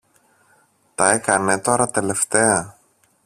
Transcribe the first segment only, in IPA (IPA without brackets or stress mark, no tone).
t̪